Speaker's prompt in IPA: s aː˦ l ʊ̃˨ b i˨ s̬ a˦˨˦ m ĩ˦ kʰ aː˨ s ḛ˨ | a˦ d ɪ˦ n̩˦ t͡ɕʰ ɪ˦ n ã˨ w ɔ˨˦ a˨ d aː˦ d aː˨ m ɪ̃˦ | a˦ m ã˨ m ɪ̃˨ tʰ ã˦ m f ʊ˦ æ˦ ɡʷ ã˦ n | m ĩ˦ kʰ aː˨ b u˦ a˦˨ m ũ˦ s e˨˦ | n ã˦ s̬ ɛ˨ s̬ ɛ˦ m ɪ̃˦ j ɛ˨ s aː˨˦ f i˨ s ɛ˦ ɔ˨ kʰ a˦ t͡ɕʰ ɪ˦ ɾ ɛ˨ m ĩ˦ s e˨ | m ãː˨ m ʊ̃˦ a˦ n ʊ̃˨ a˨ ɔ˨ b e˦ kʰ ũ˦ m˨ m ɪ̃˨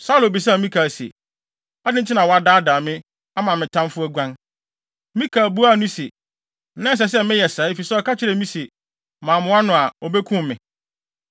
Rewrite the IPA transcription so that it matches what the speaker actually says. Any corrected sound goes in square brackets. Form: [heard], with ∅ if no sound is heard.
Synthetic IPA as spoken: s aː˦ l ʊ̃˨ b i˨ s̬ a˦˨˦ m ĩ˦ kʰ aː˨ s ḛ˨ | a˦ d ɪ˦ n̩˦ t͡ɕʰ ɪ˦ n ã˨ w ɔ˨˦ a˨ d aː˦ d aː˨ m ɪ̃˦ | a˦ m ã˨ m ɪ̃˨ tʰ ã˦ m f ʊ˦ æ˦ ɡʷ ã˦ n | m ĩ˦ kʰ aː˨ b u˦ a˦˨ [n] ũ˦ s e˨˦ | n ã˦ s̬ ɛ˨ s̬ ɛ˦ m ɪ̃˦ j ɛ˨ s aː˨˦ f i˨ s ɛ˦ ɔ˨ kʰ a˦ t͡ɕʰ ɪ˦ ɾ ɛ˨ m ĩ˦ s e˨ | m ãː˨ m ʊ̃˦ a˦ n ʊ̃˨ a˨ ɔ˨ b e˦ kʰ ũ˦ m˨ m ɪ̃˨